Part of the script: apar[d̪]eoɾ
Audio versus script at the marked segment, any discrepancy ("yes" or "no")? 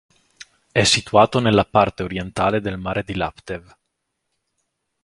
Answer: yes